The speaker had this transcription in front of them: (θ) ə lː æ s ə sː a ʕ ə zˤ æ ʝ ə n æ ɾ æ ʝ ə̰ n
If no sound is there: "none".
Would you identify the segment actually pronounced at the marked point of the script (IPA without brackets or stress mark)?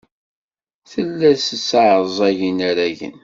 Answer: θ